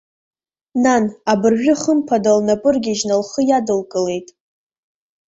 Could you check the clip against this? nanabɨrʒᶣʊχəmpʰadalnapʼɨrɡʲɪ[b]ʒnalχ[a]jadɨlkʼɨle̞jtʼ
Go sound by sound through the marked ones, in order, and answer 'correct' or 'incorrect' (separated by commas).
incorrect, incorrect